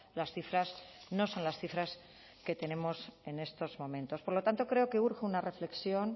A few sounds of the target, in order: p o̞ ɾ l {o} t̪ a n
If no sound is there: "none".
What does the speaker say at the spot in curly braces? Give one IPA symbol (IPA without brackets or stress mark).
o